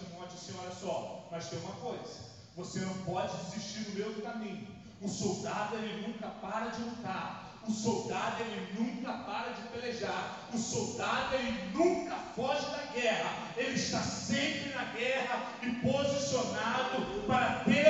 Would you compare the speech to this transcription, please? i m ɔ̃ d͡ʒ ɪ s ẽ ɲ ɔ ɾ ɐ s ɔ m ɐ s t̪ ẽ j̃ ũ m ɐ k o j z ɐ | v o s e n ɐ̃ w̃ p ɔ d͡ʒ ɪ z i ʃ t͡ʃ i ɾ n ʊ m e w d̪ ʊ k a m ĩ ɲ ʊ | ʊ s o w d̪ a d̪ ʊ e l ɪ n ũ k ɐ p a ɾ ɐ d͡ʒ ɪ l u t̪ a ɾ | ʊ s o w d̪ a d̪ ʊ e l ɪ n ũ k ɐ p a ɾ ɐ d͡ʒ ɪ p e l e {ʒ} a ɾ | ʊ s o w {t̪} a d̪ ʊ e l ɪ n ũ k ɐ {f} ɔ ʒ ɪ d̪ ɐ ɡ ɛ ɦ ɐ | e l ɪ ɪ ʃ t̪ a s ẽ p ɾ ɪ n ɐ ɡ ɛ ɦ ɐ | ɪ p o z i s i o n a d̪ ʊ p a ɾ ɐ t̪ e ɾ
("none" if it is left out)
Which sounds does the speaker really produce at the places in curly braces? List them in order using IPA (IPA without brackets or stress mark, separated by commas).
ʒ, d̪, f